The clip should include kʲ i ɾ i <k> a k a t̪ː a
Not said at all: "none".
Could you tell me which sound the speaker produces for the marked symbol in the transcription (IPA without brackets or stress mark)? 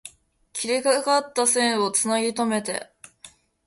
k